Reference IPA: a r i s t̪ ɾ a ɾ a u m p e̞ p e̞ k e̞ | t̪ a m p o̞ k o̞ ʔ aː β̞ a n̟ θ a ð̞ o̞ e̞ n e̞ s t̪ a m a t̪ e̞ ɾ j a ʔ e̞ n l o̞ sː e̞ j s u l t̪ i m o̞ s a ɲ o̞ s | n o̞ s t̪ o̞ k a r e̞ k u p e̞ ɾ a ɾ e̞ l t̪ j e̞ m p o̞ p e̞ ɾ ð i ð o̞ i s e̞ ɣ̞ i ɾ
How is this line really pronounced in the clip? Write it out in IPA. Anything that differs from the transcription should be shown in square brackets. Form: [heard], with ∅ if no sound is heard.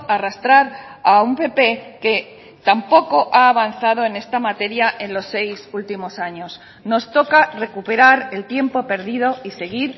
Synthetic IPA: a r [a] s t̪ ɾ a ɾ a u m p e̞ p e̞ k e̞ | t̪ a m p o̞ k o̞ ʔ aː β̞ a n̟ θ a ð̞ o̞ e̞ n e̞ s t̪ a m a t̪ e̞ ɾ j a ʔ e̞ n l o̞ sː e̞ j s u l t̪ i m o̞ s a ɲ o̞ s | n o̞ s t̪ o̞ k a r e̞ k u p e̞ ɾ a ɾ e̞ l t̪ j e̞ m p o̞ p e̞ ɾ ð i ð o̞ i s e̞ ɣ̞ i ɾ